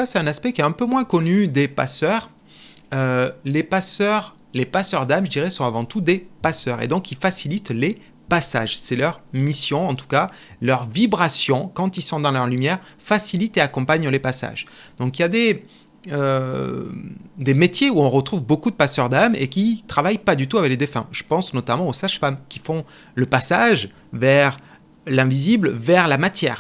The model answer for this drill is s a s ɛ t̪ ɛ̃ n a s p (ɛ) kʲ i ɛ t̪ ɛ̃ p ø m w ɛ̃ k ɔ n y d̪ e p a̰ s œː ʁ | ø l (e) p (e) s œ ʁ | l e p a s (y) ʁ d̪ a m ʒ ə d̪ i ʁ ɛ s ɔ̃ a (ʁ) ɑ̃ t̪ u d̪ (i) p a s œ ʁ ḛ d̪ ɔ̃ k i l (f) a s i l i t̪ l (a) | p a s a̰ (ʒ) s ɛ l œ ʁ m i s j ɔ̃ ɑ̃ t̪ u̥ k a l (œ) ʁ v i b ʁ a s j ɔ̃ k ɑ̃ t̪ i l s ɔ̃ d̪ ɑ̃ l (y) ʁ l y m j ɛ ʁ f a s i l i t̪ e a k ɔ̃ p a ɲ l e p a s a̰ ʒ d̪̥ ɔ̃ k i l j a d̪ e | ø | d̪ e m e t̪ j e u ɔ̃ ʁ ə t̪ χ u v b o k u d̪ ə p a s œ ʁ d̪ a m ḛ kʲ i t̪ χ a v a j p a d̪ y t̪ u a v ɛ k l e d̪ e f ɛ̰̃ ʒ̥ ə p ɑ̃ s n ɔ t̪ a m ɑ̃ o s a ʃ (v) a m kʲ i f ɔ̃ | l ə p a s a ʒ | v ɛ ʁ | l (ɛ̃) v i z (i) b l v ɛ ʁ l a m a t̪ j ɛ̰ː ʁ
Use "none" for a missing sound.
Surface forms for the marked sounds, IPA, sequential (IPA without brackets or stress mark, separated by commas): ɛ, e, a, œ, v, e, f, e, ʒ, œ, œ, f, ɛ̃, i